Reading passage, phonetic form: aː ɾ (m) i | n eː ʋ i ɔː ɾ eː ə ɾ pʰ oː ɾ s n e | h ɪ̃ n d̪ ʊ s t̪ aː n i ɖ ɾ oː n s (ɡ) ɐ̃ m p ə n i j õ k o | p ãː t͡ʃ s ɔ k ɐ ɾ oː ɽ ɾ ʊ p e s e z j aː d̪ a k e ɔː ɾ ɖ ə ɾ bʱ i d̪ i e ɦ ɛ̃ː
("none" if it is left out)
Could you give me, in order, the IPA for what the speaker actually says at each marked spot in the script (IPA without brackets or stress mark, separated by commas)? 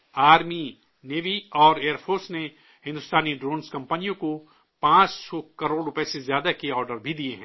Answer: m, k